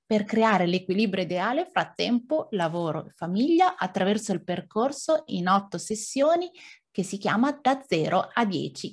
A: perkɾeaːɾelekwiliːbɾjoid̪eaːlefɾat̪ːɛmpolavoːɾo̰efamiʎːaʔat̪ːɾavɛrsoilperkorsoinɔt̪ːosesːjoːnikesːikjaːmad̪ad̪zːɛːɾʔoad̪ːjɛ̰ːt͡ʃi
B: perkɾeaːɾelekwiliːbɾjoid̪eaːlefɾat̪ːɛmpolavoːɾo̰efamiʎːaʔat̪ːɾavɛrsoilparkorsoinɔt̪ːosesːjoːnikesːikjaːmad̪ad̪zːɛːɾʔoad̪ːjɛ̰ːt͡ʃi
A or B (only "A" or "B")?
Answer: A